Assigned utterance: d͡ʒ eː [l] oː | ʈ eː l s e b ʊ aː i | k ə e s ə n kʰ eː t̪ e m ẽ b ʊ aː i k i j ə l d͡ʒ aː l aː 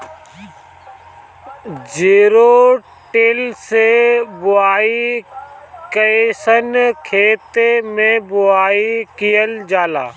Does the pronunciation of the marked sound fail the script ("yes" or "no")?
yes